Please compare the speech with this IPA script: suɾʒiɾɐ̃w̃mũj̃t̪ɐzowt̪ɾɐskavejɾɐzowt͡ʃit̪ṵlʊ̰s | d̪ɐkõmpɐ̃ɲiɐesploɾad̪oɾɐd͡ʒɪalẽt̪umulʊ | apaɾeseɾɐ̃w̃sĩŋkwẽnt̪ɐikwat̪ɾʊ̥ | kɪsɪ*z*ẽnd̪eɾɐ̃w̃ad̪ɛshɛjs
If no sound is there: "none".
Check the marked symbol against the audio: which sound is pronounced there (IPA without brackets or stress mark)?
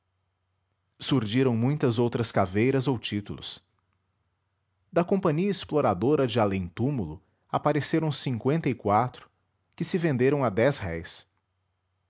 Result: v